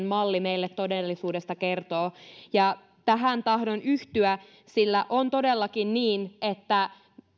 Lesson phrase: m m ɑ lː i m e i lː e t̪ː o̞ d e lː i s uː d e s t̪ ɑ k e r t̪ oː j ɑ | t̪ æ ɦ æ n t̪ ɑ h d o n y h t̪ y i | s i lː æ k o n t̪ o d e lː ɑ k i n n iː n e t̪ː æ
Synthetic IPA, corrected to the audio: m m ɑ lː i m e i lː e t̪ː o̞ d e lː i s uː d e s t̪ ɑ k e r t̪ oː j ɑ | t̪ æ ɦ æ n t̪ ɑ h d o n y h t̪ y æ | s i lː æ ʔ o n t̪ o d e lː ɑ k i n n iː n e t̪ː æ